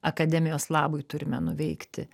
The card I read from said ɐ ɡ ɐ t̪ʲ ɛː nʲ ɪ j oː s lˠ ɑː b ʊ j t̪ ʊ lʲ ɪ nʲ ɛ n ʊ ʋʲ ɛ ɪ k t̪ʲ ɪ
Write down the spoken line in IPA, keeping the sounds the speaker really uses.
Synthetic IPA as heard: ɐ k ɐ d̪ʲ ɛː mʲ ɪ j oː s lˠ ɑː b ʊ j t̪ ʊ ɾʲ ɪ mʲ ɛ n ʊ ʋʲ ɛ ɪ k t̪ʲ ɪ